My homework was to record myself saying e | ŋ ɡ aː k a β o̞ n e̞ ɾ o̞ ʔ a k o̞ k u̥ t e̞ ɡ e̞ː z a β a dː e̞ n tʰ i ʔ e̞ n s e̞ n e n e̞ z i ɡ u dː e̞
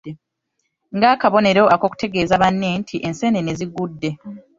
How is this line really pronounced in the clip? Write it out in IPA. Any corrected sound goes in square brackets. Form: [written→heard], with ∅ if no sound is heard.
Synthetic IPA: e | ŋ ɡ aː k a β o̞ n e̞ ɾ o̞ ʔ a k o̞ k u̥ t e̞ ɡ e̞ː z a β a [dː→nː] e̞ n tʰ i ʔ e̞ n s e̞ n e n e̞ z i ɡ u dː e̞